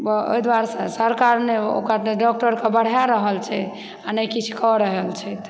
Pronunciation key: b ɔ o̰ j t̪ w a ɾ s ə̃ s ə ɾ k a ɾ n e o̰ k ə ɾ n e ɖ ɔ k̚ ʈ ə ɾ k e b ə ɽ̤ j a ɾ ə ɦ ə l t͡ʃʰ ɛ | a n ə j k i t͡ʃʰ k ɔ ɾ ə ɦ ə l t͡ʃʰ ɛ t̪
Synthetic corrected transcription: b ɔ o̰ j d̪ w a ɾ s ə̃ s ə ɾ k a ɾ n e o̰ k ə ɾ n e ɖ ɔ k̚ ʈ ə ɾ k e b ə ɽ̤ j a ɾ ə ɦ ə l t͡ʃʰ ɛ | a n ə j k i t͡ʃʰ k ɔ ɾ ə ɦ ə l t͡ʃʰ ɛ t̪